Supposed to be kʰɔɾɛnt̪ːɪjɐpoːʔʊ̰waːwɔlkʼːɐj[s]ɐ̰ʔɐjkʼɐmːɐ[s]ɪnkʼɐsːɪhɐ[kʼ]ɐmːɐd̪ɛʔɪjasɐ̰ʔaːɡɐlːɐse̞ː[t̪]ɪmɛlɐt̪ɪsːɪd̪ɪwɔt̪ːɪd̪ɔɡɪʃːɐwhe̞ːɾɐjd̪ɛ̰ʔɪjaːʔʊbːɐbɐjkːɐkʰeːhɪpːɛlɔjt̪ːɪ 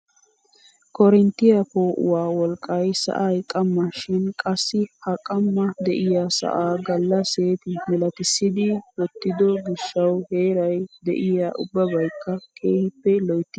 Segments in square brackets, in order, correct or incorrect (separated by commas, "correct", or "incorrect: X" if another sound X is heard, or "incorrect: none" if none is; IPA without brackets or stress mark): correct, incorrect: ʃ, correct, correct